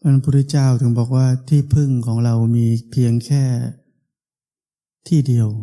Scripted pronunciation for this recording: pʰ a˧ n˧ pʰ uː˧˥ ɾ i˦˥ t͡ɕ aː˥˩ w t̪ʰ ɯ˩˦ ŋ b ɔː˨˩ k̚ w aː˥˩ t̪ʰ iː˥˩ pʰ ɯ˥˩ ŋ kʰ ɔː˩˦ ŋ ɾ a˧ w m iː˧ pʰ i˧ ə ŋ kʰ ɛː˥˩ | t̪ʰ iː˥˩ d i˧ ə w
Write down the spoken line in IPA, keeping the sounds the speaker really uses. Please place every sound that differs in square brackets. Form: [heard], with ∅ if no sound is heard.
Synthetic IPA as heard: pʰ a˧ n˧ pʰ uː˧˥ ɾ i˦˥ t͡ɕ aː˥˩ w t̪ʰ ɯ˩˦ ŋ b ɔː˨˩ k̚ w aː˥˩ t̪ʰ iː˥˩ pʰ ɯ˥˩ ŋ kʰ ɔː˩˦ ŋ ɾ a˧ w m iː˧ pʰ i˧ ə ŋ kʰ ɛː˥˩ | t̪ʰ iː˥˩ d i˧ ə w